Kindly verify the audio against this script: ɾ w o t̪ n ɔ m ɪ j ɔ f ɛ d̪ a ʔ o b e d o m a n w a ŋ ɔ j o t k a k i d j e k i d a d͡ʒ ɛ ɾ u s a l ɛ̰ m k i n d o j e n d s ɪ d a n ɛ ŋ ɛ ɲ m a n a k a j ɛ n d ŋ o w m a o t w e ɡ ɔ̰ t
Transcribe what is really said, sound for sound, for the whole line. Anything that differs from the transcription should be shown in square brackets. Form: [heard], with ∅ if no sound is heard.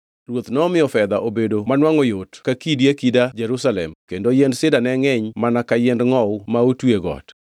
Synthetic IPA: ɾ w o t̪ n ɔ m ɪ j ɔ f ɛ d̪ a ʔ o b e d o m a n w a ŋ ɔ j o t k a k i d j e k i d a d͡ʒ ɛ ɾ u s a l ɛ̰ m k [e] n d o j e n d s ɪ d a n ɛ ŋ ɛ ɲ m a n a k a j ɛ n d ŋ [ɔ] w m a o t w e ɡ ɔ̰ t